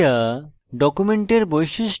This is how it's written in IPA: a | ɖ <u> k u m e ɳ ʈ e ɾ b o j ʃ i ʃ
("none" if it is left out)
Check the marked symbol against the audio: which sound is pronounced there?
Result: ɔ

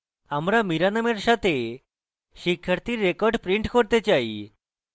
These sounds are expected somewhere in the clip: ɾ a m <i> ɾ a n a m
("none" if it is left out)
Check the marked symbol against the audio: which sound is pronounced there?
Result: i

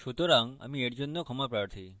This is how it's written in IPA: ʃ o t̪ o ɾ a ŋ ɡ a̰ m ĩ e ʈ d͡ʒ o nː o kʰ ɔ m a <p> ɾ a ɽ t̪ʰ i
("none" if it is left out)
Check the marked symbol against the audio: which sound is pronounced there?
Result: p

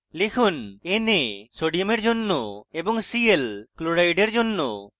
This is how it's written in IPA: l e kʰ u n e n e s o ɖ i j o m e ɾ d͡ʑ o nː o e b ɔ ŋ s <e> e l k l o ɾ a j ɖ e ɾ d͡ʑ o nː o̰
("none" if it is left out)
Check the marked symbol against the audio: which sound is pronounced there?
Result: i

